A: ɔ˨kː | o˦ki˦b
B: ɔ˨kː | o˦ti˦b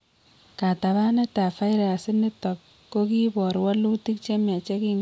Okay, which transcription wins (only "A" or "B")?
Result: A